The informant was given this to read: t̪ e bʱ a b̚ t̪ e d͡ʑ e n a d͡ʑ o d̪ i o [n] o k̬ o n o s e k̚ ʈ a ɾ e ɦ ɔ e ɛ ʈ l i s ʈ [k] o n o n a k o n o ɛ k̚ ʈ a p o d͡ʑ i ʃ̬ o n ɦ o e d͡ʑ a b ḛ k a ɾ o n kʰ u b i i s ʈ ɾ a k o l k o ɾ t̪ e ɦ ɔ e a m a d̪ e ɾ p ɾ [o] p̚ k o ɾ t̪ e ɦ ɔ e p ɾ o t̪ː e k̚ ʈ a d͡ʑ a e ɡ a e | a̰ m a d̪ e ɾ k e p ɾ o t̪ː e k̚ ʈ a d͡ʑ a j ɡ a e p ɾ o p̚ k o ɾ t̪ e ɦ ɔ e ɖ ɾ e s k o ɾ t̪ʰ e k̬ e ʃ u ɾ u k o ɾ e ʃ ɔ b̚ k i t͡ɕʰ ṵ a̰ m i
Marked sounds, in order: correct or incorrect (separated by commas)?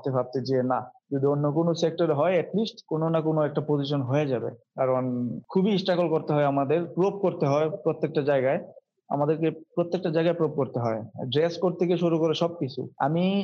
incorrect, correct, correct